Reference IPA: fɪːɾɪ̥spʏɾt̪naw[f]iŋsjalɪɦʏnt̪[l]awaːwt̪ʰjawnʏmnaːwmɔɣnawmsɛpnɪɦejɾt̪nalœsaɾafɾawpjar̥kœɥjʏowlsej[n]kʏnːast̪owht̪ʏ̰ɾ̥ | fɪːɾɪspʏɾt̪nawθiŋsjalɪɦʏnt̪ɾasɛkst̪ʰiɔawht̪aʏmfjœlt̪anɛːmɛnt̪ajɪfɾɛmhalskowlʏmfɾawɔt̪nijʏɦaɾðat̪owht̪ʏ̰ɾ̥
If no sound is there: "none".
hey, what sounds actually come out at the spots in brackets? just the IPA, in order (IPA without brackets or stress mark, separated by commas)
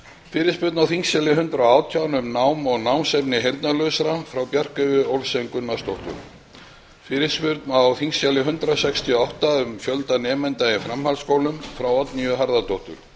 θ, ɾ, ŋ